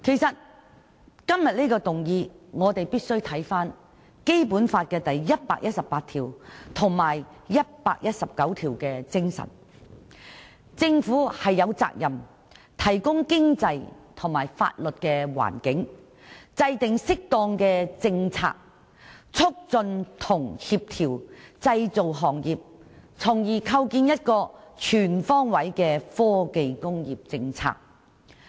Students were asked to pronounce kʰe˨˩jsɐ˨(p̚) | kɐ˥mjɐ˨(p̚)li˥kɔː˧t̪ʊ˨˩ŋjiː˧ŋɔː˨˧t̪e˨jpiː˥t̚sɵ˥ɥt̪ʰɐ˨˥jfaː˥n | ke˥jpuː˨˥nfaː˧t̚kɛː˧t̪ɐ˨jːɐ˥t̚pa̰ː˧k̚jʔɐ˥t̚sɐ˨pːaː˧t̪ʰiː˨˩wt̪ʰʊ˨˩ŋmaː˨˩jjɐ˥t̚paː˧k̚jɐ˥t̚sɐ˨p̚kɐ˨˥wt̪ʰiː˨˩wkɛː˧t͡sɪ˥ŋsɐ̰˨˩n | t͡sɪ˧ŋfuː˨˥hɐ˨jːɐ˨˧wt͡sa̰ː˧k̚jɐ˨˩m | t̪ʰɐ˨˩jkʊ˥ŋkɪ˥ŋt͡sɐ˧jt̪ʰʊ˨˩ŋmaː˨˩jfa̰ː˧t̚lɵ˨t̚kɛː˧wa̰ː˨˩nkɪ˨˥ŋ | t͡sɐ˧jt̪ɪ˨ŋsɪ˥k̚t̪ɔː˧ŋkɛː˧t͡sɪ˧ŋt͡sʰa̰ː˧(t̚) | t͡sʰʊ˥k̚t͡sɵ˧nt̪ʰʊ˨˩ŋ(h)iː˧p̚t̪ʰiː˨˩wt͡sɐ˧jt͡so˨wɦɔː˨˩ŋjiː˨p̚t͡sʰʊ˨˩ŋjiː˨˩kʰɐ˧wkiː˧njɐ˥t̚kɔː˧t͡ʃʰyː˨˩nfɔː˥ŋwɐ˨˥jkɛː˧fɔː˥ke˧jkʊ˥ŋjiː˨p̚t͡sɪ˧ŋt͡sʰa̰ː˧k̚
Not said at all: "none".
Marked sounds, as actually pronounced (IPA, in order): t̚, t̚, k̚, h

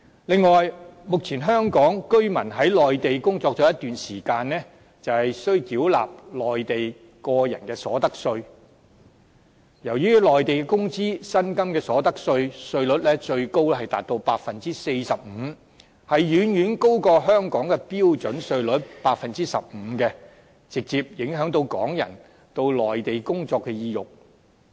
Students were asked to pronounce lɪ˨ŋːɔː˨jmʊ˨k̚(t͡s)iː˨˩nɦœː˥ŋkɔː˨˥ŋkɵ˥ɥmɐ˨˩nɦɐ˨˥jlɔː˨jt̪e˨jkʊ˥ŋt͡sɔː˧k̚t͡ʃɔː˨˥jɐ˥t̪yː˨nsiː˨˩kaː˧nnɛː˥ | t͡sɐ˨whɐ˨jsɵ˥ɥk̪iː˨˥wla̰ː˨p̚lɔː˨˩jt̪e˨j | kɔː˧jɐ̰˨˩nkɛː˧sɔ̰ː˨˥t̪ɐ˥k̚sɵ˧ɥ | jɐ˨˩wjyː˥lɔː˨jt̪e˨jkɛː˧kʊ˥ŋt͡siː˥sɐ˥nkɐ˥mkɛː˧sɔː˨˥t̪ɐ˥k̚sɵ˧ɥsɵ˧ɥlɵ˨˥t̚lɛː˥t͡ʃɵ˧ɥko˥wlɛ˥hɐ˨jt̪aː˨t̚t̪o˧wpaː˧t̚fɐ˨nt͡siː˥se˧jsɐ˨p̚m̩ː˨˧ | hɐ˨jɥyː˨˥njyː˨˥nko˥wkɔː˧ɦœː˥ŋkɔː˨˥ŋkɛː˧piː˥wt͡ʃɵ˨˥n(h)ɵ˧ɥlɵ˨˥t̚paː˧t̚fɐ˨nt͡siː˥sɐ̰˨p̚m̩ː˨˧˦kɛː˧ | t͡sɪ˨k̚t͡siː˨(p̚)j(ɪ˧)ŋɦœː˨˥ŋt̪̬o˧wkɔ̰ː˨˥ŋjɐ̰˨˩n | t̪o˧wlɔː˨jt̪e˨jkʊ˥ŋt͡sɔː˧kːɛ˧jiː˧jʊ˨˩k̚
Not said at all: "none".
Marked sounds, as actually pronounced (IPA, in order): t͡sʰ, s, p̚, ɪ˨˥

